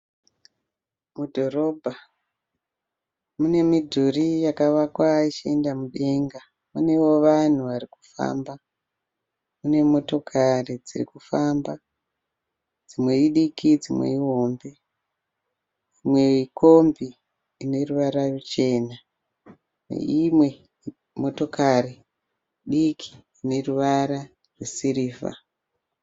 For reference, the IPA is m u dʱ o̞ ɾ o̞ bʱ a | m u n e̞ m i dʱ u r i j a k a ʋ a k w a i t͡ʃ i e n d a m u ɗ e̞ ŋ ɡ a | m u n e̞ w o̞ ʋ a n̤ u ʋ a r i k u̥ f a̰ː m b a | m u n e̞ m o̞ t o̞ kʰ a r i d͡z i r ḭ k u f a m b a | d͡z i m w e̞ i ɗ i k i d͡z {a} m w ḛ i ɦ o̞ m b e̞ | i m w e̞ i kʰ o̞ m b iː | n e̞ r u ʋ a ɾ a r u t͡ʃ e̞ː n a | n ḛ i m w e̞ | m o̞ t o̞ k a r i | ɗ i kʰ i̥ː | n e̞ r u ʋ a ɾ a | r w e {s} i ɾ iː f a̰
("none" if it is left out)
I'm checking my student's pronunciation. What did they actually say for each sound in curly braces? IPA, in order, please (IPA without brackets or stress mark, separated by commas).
i, s